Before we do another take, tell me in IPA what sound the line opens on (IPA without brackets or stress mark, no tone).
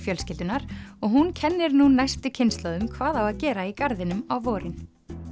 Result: f